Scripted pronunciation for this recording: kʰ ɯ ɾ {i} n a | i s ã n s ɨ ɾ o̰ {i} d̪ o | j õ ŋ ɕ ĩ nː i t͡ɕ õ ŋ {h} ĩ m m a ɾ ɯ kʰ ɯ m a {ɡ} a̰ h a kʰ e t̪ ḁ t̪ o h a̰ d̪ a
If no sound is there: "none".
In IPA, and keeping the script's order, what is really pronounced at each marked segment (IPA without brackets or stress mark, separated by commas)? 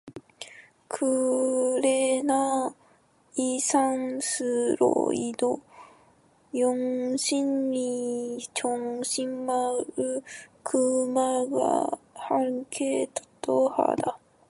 e, i, ɕ, ɡ